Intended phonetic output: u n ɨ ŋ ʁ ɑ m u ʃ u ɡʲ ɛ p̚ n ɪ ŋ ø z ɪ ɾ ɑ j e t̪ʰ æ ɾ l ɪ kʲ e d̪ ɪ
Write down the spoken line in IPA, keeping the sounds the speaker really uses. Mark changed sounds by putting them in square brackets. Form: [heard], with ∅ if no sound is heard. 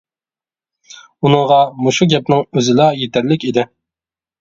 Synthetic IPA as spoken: u n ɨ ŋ ʁ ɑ m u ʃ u ɡʲ ɛ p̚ n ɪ ŋ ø z ɪ [l] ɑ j e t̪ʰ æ ɾ l ɪ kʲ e d̪ ɪ